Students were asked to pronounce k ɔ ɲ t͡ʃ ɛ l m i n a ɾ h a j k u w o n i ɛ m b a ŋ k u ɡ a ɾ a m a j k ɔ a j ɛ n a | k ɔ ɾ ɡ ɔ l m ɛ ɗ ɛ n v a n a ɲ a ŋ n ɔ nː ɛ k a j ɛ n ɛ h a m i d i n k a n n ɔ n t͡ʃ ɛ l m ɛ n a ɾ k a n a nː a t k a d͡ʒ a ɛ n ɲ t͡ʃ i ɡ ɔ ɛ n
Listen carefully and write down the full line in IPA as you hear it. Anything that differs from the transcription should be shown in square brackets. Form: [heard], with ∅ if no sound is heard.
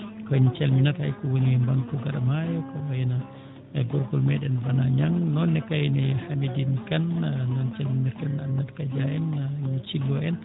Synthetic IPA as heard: k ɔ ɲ t͡ʃ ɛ l m i n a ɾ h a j k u w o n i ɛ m b a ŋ k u ɡ a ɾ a m a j k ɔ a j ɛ n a | [ɡ] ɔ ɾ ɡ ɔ l m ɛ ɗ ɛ n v a n a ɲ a ŋ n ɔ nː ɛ k a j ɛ n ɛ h a m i d i n k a n n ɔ n t͡ʃ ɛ l m [i] n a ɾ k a n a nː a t k a d͡ʒ a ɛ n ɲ t͡ʃ i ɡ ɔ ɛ n